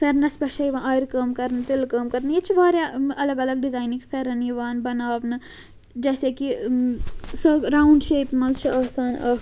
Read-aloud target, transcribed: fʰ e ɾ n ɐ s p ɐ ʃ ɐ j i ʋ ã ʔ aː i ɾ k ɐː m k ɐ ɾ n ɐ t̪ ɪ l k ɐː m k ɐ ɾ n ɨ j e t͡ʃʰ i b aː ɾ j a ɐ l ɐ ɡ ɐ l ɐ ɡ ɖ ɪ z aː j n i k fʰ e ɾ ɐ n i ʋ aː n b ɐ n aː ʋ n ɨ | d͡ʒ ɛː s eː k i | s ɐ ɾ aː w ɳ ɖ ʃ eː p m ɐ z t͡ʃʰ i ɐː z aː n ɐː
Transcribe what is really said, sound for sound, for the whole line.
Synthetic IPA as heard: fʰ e ɾ n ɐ s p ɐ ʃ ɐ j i ʋ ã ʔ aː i ɾ k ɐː m k ɐ ɾ n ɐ t̪ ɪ l k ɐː m k ɐ ɾ n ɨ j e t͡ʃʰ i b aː ɾ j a ɐ l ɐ ɡ ɐ l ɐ ɡ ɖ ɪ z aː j n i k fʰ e ɾ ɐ n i ʋ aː n b ɐ n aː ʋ n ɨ | d͡ʒ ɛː s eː k i | s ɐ ɾ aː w ɳ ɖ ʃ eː p m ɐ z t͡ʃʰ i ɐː s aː n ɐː